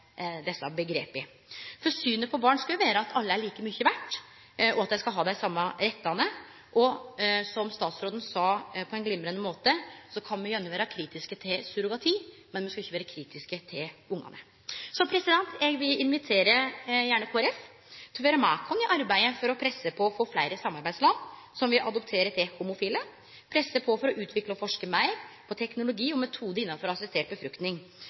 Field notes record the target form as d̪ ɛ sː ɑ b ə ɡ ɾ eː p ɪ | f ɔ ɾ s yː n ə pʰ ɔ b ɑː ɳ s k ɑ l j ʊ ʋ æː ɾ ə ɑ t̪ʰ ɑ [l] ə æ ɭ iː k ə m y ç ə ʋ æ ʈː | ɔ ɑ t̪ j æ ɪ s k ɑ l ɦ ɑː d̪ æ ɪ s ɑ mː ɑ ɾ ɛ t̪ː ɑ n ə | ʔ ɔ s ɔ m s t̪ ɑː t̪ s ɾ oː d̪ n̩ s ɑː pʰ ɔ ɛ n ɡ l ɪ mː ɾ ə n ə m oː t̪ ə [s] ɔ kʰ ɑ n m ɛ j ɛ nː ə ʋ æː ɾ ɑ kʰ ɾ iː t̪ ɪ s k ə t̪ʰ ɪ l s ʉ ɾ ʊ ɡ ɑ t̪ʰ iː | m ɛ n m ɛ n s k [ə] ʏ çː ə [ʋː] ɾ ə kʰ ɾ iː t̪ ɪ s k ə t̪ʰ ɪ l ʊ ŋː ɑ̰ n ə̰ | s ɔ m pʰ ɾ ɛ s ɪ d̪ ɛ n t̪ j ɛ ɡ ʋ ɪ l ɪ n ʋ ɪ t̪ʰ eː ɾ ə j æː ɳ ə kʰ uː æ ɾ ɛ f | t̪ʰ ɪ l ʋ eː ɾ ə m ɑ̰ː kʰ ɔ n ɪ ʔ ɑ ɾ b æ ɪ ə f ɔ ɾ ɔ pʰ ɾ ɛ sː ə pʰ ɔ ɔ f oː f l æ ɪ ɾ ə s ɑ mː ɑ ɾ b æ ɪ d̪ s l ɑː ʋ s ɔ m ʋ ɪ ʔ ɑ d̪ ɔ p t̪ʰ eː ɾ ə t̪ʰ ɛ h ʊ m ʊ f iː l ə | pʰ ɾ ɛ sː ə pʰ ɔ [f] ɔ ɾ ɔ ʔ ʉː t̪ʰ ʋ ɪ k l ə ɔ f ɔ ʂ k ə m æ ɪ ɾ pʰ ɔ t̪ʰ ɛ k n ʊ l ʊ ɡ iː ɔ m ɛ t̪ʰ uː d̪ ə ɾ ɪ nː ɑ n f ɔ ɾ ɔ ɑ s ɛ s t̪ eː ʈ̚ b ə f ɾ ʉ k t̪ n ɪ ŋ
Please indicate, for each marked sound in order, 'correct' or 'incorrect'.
incorrect: lː, correct, incorrect: ɑ, correct, correct

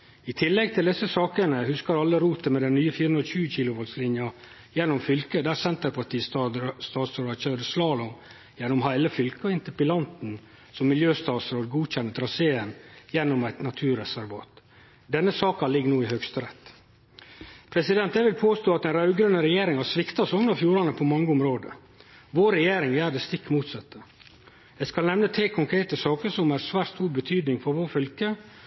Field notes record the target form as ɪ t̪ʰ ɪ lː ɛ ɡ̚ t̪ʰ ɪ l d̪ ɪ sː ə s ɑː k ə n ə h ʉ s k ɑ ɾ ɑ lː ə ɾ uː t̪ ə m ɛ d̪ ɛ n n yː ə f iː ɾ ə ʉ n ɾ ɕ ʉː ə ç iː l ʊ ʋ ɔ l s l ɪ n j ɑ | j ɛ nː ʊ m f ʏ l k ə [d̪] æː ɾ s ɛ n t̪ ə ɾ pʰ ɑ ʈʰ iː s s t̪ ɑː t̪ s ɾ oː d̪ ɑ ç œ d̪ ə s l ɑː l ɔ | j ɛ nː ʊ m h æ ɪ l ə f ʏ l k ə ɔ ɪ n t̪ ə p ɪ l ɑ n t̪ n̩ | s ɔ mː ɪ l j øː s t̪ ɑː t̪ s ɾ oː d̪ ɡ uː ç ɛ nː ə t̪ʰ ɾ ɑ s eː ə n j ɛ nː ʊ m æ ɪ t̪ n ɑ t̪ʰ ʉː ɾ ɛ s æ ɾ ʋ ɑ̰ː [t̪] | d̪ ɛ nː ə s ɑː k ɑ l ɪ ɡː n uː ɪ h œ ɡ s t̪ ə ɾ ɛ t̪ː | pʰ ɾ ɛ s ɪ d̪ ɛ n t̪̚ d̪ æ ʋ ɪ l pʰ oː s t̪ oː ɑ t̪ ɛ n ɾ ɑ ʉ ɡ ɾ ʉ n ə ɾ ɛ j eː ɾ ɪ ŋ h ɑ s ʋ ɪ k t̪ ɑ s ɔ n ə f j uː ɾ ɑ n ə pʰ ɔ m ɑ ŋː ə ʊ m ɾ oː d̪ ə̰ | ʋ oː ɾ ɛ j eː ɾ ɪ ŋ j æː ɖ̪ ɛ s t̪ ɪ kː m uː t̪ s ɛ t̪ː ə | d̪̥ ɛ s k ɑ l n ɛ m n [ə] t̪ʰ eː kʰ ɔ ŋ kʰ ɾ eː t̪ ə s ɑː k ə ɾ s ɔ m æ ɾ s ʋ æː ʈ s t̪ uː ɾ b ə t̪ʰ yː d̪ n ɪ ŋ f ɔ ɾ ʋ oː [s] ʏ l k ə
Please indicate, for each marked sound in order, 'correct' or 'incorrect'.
correct, correct, correct, incorrect: f

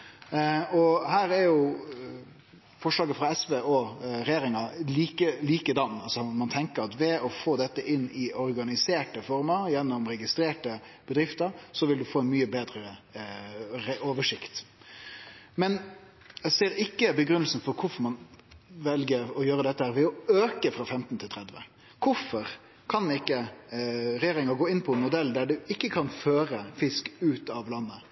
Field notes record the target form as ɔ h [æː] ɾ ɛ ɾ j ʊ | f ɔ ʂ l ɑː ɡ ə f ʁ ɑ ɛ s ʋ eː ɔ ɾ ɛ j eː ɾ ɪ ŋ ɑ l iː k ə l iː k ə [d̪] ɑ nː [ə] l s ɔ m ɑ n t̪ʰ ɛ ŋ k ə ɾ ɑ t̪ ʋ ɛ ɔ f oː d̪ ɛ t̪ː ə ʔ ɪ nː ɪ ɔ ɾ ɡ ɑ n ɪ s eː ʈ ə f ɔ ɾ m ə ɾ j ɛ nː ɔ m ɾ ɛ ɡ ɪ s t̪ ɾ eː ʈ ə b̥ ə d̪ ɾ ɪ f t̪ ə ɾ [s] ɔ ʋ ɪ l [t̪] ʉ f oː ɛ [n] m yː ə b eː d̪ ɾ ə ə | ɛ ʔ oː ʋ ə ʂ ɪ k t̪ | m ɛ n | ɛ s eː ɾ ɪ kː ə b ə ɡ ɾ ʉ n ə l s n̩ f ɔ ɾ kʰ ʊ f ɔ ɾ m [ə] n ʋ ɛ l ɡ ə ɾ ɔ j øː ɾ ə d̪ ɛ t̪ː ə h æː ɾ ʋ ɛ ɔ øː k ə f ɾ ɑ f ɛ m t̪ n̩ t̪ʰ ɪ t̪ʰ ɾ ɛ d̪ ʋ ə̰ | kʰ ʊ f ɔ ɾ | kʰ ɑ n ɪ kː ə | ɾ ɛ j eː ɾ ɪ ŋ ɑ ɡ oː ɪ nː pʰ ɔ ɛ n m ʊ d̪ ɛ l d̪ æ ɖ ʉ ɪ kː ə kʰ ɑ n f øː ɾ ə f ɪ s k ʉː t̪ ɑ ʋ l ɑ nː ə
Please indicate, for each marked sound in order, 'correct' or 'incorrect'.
correct, correct, incorrect: ɑ, correct, incorrect: d̪, correct, incorrect: ɑ

